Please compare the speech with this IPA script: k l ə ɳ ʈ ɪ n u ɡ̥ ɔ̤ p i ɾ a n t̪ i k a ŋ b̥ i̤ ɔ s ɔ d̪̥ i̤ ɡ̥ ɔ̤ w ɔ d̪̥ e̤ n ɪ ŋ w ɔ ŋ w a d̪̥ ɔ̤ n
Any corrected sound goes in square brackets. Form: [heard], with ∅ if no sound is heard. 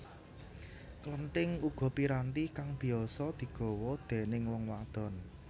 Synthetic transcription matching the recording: k l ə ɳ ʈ ɪ [ŋ] u ɡ̥ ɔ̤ p i ɾ a n t̪ i k a ŋ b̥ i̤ ɔ s ɔ d̪̥ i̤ ɡ̥ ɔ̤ w ɔ d̪̥ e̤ n ɪ ŋ w ɔ ŋ w a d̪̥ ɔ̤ n